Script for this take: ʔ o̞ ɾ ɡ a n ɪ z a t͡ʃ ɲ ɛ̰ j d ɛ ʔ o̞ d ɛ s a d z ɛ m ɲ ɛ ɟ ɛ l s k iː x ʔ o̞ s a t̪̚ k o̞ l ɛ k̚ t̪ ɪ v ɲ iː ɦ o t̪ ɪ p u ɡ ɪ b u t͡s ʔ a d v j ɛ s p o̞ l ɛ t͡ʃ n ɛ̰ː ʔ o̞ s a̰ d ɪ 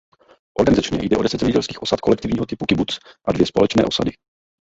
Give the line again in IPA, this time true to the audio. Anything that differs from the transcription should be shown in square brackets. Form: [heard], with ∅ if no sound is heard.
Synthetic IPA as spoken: ʔ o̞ ɾ ɡ a n ɪ z a t͡ʃ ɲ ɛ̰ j d ɛ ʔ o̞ d ɛ s [ɛ] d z ɛ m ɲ ɛ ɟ ɛ l s k iː x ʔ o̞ s a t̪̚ k o̞ l ɛ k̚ t̪ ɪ v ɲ iː ɦ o t̪ ɪ p u [k] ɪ b u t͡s ʔ a d v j ɛ s p o̞ l ɛ t͡ʃ n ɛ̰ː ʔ o̞ s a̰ d ɪ